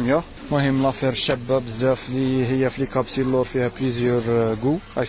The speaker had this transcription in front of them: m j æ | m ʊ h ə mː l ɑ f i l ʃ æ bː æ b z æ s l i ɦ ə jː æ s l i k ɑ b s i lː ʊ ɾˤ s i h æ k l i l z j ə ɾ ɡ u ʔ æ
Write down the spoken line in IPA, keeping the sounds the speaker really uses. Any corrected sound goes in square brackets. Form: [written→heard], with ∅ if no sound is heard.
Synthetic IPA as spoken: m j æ | m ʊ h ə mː l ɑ f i [l→ɾ] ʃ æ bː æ b z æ [s→f] l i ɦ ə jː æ [s→f] l i k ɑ b s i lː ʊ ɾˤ [s→f] i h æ [k→p] l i [l→∅] z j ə ɾ ɡ u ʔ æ